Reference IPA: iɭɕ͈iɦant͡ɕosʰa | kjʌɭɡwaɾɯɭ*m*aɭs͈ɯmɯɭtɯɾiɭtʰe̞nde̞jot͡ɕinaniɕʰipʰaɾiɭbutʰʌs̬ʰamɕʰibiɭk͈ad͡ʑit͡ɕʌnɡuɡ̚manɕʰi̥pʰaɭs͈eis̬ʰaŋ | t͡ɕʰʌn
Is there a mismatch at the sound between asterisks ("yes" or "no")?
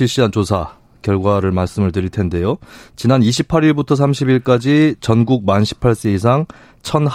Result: no